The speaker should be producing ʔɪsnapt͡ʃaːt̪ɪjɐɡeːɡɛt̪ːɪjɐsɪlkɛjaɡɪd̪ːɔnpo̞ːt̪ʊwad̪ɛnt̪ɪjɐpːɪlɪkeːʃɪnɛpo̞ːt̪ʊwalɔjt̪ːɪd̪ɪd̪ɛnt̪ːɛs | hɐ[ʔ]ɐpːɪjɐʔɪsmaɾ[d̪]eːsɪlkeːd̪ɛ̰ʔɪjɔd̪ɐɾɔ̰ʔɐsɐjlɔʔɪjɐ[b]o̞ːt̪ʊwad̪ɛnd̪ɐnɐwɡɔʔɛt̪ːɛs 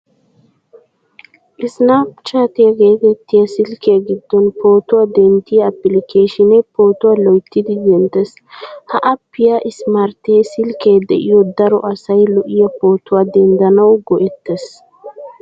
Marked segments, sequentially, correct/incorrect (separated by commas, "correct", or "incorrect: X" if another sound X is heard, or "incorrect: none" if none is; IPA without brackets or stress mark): correct, incorrect: t̪, incorrect: p